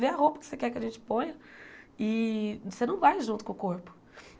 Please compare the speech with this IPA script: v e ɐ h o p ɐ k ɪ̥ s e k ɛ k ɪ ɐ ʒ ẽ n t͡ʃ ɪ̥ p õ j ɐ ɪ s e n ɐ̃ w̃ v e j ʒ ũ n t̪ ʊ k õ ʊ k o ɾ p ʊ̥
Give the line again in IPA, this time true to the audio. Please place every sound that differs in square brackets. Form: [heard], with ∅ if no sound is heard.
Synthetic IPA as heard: v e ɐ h o p ɐ k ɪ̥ s e k ɛ k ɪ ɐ ʒ ẽ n t͡ʃ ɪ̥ p õ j ɐ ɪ s e n ɐ̃ w̃ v [a] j ʒ ũ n t̪ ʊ k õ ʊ k o ɾ p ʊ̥